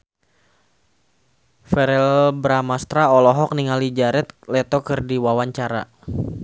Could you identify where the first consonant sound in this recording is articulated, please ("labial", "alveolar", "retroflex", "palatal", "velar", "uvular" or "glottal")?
labial